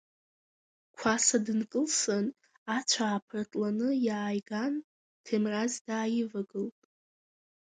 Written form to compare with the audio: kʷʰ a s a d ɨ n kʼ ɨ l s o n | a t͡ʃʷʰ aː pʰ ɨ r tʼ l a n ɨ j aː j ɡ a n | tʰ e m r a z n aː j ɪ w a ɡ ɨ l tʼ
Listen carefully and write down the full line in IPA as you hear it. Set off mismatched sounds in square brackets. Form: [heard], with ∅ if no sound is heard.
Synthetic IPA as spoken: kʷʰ a s a d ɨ n kʼ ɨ l s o n | a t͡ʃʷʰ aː pʰ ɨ r tʼ l a n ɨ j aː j ɡ a n | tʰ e m r a z [d] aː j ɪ [v] a ɡ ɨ l tʼ